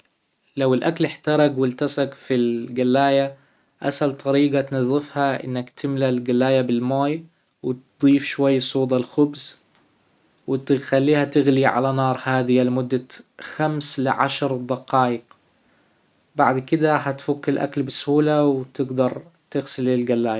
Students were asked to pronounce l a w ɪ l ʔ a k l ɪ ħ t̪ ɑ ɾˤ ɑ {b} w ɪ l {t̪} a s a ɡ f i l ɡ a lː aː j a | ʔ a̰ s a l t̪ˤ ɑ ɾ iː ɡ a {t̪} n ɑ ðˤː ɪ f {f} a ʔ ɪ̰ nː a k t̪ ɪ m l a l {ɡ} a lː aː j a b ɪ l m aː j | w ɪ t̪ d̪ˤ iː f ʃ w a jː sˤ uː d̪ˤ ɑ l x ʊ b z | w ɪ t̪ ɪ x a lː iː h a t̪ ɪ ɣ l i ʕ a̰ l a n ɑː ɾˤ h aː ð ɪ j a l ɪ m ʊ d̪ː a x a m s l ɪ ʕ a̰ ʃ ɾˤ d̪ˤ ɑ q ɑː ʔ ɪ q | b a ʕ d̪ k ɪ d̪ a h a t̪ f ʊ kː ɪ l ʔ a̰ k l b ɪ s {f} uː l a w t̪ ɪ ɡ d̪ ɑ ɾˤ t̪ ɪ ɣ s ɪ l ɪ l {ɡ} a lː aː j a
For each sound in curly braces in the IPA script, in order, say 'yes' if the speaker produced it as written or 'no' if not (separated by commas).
no, yes, yes, no, yes, no, yes